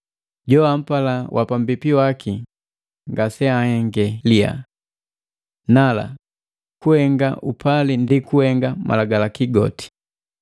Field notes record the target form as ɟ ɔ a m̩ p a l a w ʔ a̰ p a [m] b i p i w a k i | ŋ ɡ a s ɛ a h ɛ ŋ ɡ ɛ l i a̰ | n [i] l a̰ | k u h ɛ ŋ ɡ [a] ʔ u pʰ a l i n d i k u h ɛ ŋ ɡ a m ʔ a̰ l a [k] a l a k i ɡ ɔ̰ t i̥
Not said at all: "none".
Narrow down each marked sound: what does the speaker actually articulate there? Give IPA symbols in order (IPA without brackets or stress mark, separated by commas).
m, a, a, ɡ